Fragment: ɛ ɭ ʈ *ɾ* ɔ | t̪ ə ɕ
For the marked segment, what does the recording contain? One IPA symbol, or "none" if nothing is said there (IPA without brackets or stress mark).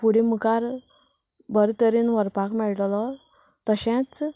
l